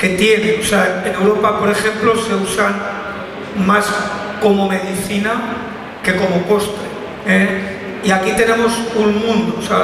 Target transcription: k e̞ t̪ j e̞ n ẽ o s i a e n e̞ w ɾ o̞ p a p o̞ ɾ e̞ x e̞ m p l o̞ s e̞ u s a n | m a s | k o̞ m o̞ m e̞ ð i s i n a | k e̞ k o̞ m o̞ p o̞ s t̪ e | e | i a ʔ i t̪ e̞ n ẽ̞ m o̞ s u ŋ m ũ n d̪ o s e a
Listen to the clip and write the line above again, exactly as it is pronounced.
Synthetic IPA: k e̞ t̪ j e̞ n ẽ o s e a e n e̞ w ɾ o̞ p a p o̞ ɾ e̞ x e̞ m p l o̞ s e̞ u s a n | m a s | k o̞ m o̞ m e̞ ð i θ i n a | k e̞ k o̞ m o̞ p o̞ s t̪ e | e | i a k i t̪ e̞ n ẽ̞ m o̞ s u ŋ m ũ n d̪ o s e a

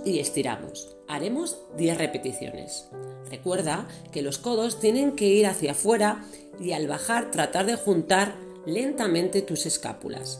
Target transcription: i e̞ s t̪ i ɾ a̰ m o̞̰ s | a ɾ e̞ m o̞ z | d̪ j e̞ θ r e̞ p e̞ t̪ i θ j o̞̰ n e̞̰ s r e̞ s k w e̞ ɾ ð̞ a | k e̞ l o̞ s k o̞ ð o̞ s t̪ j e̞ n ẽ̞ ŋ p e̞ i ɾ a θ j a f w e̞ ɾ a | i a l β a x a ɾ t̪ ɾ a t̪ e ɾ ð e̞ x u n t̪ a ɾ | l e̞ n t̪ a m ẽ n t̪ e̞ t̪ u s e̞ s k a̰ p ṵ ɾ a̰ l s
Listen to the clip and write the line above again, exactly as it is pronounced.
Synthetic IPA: i e̞ s t̪ i ɾ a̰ m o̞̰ s | a ɾ e̞ m o̞ z | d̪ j e̞ θ r e̞ p e̞ t̪ i θ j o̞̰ n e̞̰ s r e̞ k w e̞ ɾ ð̞ a | k e̞ l o̞ s k o̞ ð o̞ s t̪ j e̞ n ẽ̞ ŋ k e̞ i ɾ a θ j a f w e̞ ɾ a | i a l β a x a ɾ t̪ ɾ a t̪ a ɾ ð e̞ x u n t̪ a ɾ | l e̞ n t̪ a m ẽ n t̪ e̞ t̪ u s e̞ s k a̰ p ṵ l a̰ s

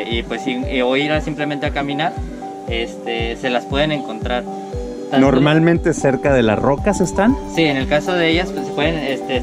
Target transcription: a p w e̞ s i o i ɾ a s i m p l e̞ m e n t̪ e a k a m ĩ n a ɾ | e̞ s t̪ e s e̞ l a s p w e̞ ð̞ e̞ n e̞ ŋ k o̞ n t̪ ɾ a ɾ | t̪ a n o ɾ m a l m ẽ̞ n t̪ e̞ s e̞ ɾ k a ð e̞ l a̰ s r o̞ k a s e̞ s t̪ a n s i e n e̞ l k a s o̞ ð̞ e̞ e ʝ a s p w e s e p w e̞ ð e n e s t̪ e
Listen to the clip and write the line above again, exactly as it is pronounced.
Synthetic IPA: i p w e̞ s i o i ɾ a s i m p l e̞ m e n t̪ e a k a m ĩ n a ɾ | e̞ s t̪ e s e̞ l a s p w e̞ ð̞ e̞ n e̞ ŋ k o̞ n t̪ ɾ a ɾ | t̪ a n o ɾ m a l m ẽ̞ n t̪ e̞ s e̞ ɾ k a ð e̞ l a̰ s r o̞ k a s e̞ s t̪ a n s i e n e̞ l k a s o̞ ð̞ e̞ e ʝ a s p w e s e p w e̞ ð e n e s t̪ e

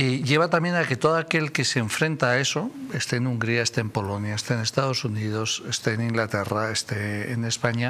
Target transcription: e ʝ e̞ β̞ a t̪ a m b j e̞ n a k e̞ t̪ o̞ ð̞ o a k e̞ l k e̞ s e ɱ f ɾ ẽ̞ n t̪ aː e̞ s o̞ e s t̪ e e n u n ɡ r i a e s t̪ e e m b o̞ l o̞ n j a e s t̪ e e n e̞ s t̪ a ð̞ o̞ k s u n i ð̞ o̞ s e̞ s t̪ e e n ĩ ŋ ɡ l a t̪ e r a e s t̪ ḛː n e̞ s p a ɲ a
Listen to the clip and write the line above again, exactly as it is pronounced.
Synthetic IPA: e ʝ e̞ β̞ a t̪ a m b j e̞ n a k e̞ t̪ o̞ ð̞ o a k e̞ l k e̞ s e ɱ f ɾ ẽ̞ n t̪ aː e̞ s o̞ e s t̪ e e n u ŋ ɡ ɾ i a e s t̪ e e m p o̞ l o̞ n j a e s t̪ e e n e̞ s t̪ a ð̞ o̞ s u n i ð̞ o̞ s e̞ s t̪ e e n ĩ ŋ ɡ l a t̪ e r a e s t̪ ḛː n e̞ s p a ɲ a

